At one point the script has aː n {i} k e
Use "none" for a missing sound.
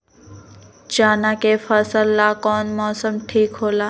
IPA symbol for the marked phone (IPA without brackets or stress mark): a